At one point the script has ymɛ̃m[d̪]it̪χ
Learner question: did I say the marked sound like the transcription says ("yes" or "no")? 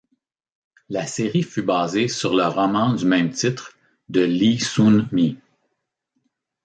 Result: no